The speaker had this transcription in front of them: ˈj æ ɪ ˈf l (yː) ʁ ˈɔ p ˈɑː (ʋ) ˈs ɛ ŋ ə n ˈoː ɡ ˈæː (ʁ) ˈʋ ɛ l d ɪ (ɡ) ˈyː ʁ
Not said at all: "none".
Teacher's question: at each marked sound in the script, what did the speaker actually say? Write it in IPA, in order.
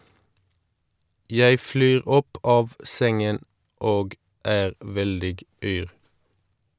yː, ʋ, ʁ, ɡ

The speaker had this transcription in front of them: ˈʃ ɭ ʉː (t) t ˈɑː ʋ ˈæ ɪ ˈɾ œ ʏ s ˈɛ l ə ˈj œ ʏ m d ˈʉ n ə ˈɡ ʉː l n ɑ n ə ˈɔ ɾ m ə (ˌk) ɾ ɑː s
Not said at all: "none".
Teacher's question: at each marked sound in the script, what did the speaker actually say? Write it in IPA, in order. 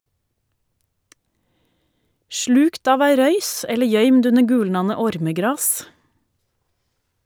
k, ɡ

